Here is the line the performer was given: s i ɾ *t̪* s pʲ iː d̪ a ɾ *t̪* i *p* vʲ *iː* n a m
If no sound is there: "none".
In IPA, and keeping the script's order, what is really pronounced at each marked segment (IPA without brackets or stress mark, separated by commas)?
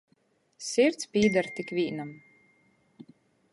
t̪, t̪, k, iː